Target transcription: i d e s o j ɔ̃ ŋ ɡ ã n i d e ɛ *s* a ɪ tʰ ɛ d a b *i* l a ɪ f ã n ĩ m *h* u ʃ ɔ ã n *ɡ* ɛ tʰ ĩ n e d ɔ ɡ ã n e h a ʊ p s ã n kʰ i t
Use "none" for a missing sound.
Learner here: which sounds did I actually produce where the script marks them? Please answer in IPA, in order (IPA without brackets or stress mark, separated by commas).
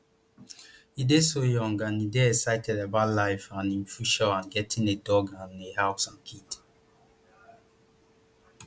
s, a, f, ɡ